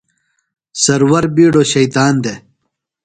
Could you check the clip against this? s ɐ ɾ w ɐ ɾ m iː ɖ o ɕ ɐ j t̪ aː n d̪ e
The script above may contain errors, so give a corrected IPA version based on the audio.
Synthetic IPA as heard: s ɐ ɾ w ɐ ɾ b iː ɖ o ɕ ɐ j t̪ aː n d̪ e